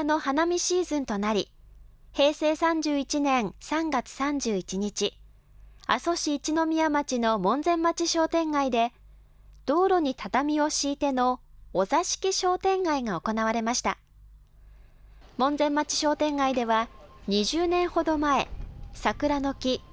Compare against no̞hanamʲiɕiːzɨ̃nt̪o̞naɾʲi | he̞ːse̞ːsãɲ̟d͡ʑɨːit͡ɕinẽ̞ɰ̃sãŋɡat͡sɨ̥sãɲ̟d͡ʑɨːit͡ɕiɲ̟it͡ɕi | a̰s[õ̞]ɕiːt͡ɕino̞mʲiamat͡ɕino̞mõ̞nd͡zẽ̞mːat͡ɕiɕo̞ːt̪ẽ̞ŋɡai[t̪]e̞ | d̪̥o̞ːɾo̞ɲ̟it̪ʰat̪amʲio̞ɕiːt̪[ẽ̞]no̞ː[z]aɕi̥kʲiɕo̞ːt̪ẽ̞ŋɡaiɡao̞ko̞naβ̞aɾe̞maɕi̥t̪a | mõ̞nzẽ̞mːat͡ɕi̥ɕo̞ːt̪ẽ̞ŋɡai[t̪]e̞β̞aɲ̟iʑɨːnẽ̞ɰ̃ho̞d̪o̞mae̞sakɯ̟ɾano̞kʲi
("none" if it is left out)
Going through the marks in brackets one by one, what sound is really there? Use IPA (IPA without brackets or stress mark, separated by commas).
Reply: o̞, d̪, e̞, z, d̪